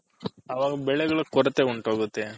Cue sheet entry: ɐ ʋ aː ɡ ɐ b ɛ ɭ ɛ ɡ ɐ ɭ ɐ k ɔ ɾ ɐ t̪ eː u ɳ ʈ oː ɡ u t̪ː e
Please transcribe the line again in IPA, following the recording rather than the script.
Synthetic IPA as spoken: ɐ ʋ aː ɡ ɐ b ɛ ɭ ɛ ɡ ɐ ɭ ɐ k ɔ ɾ ɐ t̪ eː u ɳ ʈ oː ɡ u t̪ː e